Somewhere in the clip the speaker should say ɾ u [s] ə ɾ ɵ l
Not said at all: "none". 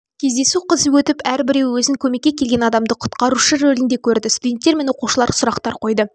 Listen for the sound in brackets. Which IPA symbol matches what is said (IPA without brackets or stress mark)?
ʃ